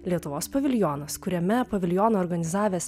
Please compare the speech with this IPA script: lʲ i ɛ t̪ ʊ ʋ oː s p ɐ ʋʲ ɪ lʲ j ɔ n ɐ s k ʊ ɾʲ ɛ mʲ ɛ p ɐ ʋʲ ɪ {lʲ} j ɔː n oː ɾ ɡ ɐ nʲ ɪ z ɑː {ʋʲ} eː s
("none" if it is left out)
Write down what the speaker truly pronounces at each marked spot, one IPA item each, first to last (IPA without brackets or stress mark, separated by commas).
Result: lʲ, ʋʲ